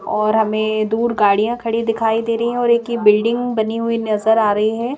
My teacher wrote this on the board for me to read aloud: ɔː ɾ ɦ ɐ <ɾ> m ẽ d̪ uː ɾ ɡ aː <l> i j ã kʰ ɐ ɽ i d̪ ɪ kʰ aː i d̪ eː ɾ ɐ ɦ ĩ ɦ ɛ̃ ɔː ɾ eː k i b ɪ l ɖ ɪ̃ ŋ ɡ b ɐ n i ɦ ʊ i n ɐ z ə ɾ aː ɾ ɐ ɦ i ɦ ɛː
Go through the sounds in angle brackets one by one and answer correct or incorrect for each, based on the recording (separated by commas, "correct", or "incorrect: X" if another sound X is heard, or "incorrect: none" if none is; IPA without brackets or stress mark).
incorrect: none, incorrect: ɽ